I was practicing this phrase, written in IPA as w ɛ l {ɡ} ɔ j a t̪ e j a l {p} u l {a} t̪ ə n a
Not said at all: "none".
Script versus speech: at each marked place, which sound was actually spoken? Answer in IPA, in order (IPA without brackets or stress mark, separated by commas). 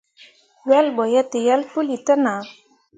b, p, i